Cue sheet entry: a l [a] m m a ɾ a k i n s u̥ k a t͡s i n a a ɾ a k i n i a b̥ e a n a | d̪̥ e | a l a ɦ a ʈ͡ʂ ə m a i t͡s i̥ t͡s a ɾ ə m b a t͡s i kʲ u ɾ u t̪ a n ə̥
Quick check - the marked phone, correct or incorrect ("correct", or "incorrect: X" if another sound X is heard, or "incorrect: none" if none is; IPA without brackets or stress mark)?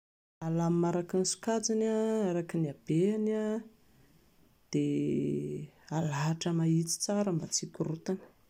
correct